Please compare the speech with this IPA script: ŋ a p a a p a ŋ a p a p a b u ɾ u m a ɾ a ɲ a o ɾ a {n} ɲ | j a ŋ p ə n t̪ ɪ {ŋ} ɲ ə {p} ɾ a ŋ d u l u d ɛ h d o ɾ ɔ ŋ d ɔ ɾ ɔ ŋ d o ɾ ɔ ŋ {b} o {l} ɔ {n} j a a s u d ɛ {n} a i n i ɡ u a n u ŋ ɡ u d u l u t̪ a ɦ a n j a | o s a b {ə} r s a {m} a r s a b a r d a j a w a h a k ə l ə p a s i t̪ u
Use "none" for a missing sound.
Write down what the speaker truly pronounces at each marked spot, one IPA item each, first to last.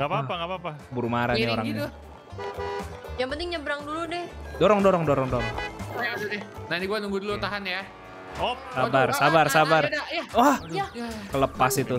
ŋ, ŋ, b, d, ɾ, ŋ, n, a, b

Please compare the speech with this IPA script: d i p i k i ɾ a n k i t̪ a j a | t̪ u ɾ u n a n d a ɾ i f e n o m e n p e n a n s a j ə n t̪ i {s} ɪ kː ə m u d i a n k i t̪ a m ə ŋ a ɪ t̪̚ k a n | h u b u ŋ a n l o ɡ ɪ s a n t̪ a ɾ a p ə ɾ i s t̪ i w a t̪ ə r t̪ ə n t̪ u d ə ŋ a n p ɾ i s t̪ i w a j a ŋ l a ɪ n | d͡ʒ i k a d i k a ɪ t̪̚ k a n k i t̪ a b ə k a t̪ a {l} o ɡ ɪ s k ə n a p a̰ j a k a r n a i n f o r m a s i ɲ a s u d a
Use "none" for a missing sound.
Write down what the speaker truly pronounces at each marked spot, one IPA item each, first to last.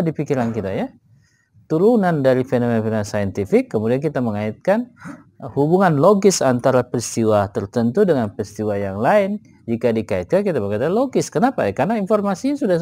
f, l

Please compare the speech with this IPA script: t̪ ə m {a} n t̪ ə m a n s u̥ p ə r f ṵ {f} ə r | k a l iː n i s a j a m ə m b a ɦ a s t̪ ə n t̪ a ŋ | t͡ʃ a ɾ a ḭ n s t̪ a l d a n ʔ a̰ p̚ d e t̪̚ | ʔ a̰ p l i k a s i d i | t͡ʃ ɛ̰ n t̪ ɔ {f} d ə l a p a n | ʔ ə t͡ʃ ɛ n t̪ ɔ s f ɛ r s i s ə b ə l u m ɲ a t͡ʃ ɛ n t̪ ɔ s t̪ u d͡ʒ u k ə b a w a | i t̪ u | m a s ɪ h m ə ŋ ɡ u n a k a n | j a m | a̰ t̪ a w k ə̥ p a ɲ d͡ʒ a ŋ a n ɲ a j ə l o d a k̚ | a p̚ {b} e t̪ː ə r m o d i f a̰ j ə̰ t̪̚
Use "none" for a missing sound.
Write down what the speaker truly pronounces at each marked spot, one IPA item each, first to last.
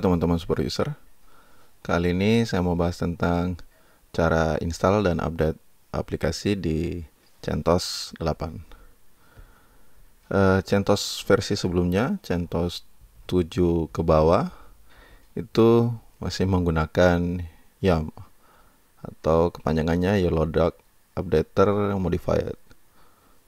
a, s, s, d

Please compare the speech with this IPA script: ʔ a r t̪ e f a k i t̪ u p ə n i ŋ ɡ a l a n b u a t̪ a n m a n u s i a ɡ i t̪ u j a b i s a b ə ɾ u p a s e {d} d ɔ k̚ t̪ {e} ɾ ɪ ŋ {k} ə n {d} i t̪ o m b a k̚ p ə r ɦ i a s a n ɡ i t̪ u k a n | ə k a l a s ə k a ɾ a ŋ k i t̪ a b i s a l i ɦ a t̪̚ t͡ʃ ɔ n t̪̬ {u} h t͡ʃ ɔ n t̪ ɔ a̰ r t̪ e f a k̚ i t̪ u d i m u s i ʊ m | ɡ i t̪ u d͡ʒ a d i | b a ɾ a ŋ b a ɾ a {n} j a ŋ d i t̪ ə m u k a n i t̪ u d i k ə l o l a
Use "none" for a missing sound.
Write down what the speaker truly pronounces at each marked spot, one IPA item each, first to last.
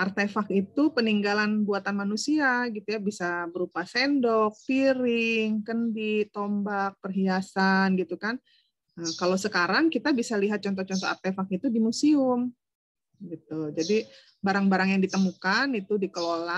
n, i, k, d, ɔ, ŋ

